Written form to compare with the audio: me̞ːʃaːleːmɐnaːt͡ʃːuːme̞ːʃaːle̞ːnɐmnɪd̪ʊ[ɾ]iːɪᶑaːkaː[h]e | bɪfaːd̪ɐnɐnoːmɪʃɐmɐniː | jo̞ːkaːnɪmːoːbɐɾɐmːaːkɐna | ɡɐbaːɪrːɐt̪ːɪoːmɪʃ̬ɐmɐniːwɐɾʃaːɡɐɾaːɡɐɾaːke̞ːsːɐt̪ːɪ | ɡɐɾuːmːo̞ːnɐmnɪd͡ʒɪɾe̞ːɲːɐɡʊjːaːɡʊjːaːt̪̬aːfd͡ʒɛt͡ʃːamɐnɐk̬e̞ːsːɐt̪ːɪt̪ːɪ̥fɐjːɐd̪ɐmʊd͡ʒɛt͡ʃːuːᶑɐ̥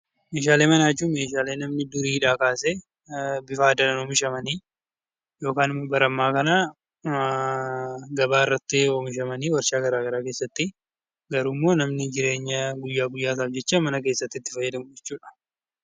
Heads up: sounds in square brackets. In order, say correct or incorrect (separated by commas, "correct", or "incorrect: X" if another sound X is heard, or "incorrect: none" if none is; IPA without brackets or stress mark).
correct, incorrect: s